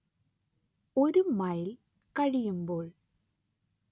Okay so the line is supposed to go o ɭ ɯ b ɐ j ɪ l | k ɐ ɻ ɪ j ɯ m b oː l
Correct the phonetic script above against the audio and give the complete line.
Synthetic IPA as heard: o ɾ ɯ m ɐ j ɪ l | k ɐ ɻ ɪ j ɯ m b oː ɭ